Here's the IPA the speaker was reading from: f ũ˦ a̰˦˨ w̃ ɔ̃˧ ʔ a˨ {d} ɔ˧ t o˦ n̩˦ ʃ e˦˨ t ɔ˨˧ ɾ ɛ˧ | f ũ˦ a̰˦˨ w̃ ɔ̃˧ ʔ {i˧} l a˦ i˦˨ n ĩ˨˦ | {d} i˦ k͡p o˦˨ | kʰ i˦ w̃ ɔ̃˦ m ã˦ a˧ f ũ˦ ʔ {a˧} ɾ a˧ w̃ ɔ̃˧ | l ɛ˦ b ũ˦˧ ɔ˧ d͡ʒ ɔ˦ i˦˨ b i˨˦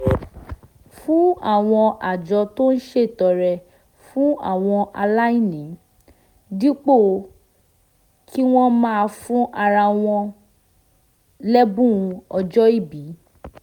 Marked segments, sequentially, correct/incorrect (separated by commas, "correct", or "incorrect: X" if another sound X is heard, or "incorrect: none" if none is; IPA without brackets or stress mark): incorrect: d͡ʒ, incorrect: a˧, correct, correct